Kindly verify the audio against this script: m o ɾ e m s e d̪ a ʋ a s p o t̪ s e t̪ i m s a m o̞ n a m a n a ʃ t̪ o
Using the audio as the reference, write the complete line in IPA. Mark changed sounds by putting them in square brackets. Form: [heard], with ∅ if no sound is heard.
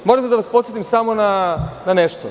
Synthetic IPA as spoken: m o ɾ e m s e d̪ a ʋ a s p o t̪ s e t̪ i m s a m o̞ n a [n] a n [e] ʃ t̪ o